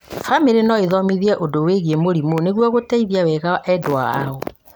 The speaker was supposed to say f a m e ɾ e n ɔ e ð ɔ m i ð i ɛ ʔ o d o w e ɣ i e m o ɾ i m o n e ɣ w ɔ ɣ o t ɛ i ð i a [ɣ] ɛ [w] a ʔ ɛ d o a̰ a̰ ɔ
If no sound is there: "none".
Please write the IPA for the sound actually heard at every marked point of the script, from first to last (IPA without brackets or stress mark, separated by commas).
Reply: w, ɣ